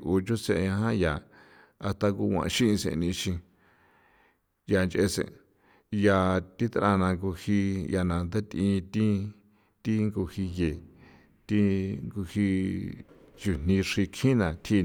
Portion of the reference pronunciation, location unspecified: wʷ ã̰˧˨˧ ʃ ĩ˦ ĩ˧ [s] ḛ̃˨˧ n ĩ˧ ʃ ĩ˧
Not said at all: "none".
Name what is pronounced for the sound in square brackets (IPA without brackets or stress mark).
s